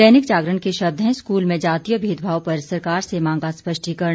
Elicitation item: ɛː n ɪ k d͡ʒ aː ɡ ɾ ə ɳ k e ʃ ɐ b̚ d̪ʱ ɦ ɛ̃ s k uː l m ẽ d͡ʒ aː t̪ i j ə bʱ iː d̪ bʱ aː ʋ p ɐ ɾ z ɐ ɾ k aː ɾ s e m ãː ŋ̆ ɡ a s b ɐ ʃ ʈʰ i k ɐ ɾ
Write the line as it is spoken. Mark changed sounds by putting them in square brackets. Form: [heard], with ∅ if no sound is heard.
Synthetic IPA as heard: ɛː n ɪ k d͡ʒ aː ɡ ɾ ə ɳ k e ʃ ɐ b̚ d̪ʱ ɦ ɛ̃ s k uː l m ẽ d͡ʒ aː t̪ i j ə bʱ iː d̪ bʱ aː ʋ p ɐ ɾ [s] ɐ ɾ k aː ɾ s e m ãː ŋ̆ ɡ a s [p] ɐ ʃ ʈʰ i k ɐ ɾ